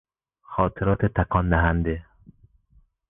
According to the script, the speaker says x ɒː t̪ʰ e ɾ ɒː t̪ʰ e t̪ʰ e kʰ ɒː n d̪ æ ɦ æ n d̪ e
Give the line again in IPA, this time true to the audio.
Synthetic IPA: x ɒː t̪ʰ e ɾ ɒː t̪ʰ e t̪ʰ æ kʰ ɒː n d̪ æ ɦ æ n d̪ e